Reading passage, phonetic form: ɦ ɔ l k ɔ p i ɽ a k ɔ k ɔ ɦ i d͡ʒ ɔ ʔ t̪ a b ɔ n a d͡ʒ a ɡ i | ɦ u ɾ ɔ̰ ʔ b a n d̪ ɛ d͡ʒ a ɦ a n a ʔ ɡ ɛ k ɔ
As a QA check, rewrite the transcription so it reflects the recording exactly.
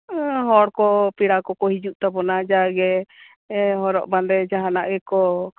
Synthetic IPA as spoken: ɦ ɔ ɽ k ɔ p i ɽ a k ɔ k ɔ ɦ i d͡ʒ u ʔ t̪ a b ɔ n a d͡ʒ a ɡ ɛ | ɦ ɔ ɾ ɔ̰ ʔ b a n d̪ ɛ d͡ʒ a ɦ a n a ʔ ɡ ɛ k ɔ

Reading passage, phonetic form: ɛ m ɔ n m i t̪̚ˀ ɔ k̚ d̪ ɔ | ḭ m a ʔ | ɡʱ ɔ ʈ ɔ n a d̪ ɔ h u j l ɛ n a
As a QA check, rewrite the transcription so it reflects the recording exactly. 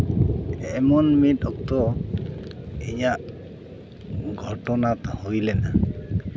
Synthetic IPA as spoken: ɛ m ɔ n m i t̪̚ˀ ɔ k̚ t̪ ɔ | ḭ ɲ a ʔ | ɡʱ ɔ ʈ ɔ n a t̪ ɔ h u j l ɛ n a

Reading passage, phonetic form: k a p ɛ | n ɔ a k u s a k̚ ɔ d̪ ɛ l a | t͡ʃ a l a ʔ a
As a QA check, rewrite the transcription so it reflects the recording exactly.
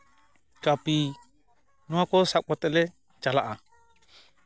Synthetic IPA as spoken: k a p i | n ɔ a k ɔ s a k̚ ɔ t̪ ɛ l ɛ | t͡ʃ a l a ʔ a

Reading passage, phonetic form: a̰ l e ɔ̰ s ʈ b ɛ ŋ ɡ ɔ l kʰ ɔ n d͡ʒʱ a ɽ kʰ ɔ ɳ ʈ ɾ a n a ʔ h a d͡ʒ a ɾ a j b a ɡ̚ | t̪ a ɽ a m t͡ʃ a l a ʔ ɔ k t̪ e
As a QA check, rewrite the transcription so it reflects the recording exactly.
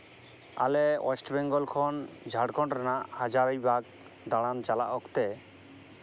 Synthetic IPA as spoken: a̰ l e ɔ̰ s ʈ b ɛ ŋ ɡ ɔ l kʰ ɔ n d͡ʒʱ a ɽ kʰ ɔ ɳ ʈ ɾ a n a ʔ h a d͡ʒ a ɾ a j b a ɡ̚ | d̪ a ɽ a n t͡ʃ a l a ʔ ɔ k t̪ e

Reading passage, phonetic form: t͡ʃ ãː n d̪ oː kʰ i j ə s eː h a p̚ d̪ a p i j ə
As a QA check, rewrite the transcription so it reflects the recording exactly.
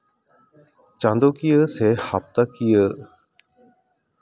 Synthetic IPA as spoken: t͡ʃ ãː n d̪ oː k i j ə s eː h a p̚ t̪ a k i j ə

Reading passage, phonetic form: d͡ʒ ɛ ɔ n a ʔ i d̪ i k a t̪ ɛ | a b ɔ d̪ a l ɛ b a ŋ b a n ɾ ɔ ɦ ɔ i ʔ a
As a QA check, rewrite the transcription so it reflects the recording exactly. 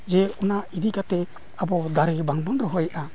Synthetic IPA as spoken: d͡ʒ ɛ ɔ n a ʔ i d̪ i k a t̪ ɛ | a b ɔ d̪ a ɾ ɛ b a ŋ b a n ɾ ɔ ɦ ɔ j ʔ a

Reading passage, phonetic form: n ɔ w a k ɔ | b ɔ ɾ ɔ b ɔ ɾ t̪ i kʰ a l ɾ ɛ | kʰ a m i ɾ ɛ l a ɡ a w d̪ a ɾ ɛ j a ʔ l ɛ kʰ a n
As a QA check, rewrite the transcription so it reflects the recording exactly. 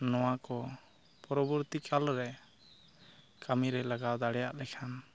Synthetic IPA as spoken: n ɔ w a k ɔ | p ɔ ɾ ɔ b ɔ ɾ t̪ i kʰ a l ɾ ɛ | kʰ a m i ɾ ɛ l a ɡ a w d̪ a ɽ ɛ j a ʔ l ɛ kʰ a n

